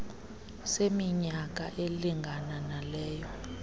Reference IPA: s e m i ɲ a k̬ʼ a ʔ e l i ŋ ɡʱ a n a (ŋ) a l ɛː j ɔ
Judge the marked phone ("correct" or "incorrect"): incorrect